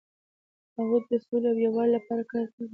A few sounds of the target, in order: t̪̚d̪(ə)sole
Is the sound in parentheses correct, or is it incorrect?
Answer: correct